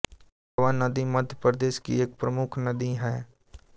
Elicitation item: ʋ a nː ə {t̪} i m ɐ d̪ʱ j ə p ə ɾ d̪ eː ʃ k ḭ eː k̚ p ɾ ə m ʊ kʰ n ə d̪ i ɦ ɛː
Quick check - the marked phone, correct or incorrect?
incorrect: d̪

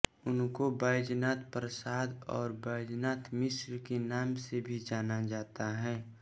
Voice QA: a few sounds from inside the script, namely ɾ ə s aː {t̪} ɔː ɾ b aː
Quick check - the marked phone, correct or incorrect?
incorrect: d̪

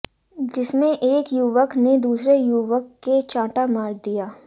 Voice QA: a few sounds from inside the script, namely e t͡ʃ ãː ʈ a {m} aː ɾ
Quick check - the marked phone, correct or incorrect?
correct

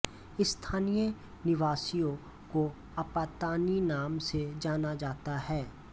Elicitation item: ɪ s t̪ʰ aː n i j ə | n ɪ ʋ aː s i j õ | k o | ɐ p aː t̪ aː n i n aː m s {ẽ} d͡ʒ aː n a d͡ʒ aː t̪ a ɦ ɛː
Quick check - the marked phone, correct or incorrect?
incorrect: e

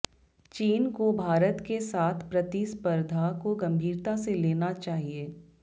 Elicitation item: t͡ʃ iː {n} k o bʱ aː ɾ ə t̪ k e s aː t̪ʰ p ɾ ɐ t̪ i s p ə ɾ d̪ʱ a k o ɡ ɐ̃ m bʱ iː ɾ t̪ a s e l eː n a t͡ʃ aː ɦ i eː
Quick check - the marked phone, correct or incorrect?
correct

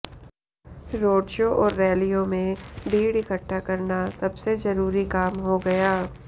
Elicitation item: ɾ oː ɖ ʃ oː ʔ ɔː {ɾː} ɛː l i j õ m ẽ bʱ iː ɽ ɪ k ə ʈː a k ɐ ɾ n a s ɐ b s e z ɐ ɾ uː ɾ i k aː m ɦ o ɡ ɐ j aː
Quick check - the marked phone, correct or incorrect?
correct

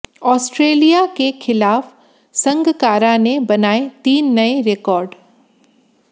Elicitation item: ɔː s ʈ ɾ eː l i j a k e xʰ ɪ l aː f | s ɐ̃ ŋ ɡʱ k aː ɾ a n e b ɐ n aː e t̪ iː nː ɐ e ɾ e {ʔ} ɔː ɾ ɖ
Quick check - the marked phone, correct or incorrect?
incorrect: k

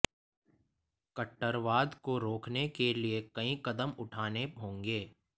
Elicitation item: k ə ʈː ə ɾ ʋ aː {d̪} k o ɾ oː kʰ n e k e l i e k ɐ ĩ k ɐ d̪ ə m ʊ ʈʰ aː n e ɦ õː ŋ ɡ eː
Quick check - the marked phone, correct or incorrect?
correct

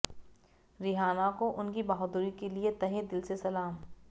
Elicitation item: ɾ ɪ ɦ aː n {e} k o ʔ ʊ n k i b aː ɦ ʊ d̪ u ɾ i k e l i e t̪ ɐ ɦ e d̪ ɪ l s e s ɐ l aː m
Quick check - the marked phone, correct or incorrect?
incorrect: a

